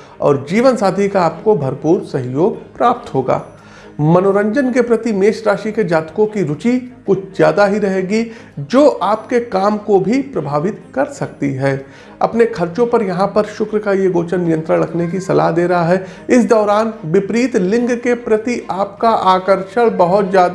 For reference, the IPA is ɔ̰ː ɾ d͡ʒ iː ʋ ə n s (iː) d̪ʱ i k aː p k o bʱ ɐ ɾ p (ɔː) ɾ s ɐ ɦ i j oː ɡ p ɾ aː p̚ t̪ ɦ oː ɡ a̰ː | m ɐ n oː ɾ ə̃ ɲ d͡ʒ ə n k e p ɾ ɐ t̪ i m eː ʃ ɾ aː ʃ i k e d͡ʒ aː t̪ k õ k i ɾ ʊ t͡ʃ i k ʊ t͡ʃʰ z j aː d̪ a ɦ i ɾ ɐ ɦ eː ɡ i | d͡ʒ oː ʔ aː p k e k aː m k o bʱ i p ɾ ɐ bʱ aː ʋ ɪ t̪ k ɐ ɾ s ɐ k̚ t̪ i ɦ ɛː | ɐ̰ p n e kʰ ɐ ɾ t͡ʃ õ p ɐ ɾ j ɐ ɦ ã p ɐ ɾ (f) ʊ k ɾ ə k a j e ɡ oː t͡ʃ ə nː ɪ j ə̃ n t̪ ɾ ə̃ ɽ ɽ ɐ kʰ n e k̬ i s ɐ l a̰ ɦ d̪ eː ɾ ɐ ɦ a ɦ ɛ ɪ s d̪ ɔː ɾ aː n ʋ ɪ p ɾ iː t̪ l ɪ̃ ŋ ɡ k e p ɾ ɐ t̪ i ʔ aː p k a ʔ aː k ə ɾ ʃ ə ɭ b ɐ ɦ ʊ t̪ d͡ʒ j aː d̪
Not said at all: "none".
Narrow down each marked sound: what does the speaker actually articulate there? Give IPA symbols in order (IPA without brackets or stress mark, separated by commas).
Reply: aː, uː, ʃ